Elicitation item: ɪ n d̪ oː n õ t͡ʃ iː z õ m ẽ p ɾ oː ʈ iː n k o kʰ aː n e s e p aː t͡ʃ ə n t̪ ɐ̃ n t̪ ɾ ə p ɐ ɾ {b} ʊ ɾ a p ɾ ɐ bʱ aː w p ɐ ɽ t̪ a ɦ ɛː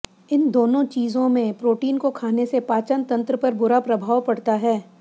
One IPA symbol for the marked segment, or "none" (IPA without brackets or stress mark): b